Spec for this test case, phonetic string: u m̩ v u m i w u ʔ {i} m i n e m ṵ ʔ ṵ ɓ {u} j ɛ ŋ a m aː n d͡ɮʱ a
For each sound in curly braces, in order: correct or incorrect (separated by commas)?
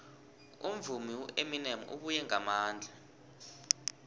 incorrect, correct